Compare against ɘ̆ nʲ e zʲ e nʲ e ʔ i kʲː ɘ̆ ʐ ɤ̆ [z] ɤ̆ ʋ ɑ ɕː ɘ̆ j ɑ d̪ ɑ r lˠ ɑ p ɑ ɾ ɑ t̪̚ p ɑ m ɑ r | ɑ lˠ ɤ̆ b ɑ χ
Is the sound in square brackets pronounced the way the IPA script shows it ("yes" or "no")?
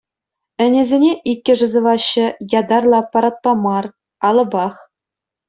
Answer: yes